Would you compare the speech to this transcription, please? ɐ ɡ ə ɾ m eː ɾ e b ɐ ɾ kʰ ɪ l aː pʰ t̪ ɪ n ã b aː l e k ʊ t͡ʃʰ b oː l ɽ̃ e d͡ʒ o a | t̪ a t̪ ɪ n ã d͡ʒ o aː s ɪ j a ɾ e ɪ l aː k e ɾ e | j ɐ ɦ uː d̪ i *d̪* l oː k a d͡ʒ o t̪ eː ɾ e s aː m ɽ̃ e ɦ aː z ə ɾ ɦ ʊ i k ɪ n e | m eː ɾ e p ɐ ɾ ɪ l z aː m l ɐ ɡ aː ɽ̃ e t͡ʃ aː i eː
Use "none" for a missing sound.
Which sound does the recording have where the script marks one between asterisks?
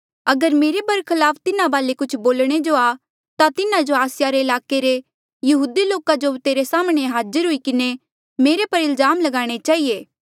none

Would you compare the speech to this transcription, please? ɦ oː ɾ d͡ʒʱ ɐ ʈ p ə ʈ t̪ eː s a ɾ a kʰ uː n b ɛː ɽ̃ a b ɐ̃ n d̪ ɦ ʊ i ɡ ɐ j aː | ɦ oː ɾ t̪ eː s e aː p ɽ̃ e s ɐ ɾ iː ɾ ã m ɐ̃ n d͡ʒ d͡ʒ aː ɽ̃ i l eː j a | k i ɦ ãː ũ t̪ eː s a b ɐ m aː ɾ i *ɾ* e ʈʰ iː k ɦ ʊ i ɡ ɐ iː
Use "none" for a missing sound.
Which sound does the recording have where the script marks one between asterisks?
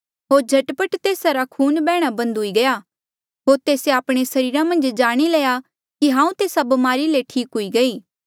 l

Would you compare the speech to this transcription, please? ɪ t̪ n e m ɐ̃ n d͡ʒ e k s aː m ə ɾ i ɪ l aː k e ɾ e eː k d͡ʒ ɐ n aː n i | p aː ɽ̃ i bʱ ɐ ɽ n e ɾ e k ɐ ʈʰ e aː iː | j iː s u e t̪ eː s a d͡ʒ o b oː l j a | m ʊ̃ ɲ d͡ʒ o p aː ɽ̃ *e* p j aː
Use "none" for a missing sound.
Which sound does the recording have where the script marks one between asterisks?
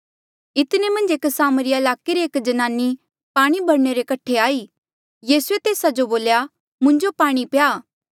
i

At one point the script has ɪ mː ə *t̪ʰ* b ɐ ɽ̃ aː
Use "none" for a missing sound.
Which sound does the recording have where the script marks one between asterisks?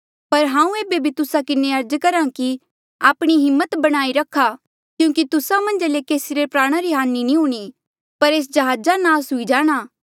t̪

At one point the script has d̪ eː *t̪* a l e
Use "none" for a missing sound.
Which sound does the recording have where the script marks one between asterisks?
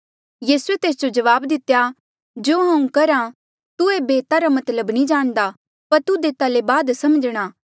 t̪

